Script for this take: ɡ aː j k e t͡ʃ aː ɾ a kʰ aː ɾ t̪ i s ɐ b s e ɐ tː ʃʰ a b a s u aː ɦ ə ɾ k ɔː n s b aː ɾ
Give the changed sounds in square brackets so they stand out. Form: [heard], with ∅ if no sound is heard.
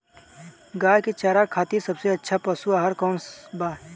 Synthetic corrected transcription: ɡ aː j k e t͡ʃ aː ɾ a kʰ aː [∅] t̪ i s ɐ b s e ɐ tː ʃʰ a [p] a s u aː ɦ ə ɾ k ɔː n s b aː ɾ